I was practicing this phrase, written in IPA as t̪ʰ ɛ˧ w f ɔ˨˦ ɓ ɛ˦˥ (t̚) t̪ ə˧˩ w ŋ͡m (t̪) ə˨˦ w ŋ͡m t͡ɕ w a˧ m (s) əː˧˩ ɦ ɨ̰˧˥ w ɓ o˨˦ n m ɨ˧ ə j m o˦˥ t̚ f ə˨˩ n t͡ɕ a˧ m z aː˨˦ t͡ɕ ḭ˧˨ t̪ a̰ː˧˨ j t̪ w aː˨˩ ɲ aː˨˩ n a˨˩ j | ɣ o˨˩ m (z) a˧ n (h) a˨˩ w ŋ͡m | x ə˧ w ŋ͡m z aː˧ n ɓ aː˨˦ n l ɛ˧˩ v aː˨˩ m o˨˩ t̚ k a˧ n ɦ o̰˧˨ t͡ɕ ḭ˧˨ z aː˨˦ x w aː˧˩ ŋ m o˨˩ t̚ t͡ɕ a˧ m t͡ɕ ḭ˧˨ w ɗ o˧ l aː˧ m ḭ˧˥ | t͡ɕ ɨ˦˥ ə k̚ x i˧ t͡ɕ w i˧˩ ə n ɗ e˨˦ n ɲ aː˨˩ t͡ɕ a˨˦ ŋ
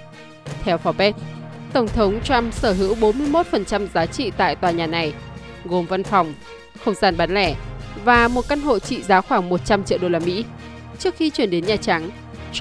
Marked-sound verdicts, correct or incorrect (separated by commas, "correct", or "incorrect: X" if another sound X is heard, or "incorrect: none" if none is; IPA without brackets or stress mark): correct, incorrect: t̪ʰ, correct, incorrect: v, incorrect: f